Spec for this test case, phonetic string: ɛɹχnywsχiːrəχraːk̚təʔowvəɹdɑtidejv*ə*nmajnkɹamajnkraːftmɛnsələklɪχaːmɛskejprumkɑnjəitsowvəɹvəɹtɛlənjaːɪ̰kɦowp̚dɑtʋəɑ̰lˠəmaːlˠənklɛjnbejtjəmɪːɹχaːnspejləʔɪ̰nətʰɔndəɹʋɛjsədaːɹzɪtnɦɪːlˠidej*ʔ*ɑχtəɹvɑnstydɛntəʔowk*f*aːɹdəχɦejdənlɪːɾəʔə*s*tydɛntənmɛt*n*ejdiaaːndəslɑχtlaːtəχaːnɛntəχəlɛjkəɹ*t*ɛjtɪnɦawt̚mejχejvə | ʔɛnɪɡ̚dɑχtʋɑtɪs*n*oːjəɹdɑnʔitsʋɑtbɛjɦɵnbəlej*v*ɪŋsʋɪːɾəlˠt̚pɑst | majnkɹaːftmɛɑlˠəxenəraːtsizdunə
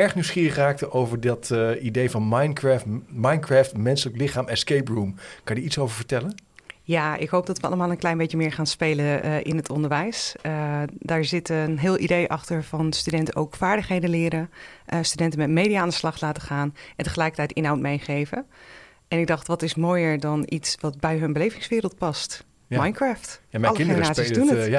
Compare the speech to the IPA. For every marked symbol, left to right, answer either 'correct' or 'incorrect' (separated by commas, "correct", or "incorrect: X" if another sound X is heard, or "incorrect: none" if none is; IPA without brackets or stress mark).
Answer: incorrect: ɑ, correct, correct, correct, incorrect: m, correct, incorrect: m, correct